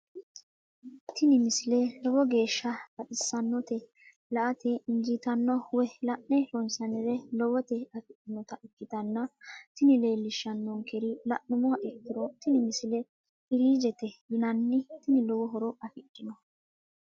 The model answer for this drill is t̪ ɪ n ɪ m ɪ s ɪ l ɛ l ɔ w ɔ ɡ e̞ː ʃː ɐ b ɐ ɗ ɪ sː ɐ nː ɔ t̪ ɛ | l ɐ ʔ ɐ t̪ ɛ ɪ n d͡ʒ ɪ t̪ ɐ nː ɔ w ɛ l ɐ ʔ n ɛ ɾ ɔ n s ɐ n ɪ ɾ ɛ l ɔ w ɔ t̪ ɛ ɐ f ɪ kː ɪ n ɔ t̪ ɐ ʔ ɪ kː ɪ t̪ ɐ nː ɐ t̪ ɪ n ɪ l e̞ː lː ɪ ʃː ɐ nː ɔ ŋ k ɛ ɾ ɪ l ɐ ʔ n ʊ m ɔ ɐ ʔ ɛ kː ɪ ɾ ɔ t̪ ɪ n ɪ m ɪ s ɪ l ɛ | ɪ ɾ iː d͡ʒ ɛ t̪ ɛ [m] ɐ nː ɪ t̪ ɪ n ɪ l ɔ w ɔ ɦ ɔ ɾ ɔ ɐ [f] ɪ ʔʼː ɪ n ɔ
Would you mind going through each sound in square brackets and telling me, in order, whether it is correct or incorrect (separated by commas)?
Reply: incorrect, correct